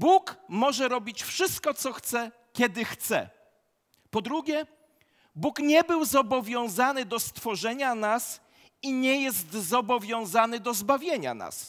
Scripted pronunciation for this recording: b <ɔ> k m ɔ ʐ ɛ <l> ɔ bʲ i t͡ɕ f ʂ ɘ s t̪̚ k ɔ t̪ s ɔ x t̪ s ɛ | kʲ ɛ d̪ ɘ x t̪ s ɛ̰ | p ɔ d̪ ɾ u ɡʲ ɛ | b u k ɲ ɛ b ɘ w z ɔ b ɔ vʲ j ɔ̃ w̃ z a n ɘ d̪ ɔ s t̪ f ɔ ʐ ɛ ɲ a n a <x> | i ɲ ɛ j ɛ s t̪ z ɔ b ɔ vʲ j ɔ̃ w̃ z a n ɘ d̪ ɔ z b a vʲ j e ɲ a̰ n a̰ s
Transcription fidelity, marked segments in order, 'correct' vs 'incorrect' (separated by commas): incorrect, incorrect, incorrect